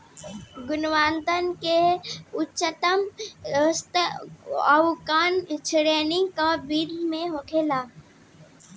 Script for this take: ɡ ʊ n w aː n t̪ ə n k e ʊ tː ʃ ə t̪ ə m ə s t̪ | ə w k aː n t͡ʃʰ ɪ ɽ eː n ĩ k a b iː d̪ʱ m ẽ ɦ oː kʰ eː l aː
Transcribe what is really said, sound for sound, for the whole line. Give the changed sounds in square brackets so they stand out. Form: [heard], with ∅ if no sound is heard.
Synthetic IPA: ɡ ʊ n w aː n t̪ ə n k e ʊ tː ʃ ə t̪ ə m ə s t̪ | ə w k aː n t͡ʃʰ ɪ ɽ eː n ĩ k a b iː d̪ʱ m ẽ ɦ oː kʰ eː l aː